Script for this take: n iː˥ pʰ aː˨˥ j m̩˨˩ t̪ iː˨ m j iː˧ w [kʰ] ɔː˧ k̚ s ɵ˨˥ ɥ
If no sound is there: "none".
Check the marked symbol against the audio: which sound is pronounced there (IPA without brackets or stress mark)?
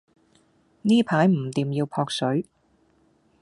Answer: pʰ